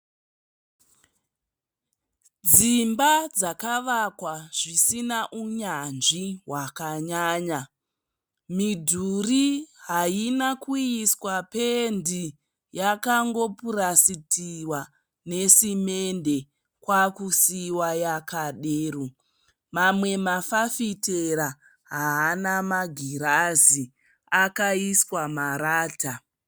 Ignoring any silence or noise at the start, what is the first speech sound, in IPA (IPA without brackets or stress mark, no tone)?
d͡z